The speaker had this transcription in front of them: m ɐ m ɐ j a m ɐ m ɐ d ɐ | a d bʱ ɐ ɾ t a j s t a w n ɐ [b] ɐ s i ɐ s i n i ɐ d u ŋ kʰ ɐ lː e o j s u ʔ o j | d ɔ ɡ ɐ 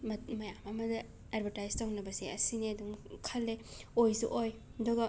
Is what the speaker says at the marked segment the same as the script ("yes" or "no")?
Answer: yes